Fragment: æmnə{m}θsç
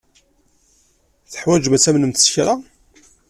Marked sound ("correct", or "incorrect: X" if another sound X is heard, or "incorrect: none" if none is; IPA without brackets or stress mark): correct